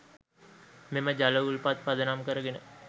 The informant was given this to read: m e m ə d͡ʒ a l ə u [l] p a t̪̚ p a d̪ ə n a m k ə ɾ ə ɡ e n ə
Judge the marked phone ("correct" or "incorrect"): correct